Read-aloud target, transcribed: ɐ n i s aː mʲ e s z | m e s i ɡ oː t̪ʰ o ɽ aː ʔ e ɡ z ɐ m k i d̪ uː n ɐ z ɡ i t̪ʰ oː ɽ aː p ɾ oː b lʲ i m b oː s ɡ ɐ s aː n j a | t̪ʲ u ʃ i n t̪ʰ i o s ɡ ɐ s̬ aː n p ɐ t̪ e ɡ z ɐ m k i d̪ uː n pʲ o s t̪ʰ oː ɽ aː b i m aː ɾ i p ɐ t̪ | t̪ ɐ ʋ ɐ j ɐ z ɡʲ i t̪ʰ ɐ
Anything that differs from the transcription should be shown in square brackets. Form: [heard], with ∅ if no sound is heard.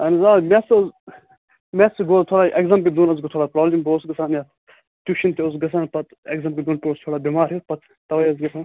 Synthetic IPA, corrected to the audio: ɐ n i [z] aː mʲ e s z | m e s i ɡ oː t̪ʰ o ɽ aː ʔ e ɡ z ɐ m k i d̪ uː n ɐ z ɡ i t̪ʰ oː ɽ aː p ɾ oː b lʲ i m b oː s ɡ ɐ s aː n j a | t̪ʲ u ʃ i n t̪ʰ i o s ɡ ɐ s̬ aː n p ɐ t̪ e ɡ z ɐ m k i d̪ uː n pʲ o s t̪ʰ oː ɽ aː b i m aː ɾ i p ɐ t̪ | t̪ ɐ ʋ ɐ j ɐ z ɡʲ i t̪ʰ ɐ